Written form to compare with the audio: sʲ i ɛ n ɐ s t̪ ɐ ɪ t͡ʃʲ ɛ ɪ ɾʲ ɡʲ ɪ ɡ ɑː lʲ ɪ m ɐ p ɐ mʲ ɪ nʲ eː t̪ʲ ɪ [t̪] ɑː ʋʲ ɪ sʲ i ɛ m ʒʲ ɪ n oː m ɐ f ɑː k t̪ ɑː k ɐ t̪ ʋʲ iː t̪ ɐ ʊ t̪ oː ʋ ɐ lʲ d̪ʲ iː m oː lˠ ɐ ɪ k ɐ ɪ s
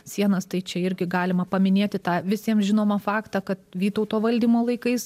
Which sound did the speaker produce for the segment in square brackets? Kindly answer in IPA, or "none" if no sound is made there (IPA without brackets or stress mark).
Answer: t̪